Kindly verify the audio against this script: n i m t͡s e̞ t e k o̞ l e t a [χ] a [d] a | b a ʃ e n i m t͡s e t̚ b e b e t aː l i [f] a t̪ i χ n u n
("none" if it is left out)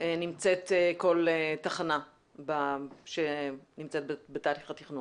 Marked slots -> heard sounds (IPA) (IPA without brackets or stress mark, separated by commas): χ, n, χ